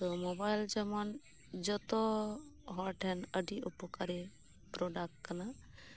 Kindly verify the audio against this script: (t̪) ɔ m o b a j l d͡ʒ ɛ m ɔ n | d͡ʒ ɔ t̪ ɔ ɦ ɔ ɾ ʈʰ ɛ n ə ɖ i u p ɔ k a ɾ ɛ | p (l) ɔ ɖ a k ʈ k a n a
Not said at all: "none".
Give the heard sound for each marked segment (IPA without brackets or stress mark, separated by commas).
t̪, ɾ